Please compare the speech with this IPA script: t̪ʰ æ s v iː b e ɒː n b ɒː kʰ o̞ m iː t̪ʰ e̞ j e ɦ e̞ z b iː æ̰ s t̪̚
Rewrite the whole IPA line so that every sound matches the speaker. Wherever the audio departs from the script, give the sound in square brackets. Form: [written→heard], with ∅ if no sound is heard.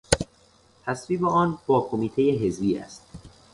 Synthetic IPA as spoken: t̪ʰ æ s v iː b e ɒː n b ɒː kʰ o̞ m iː t̪ʰ e̞ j e ɦ e̞ z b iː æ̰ s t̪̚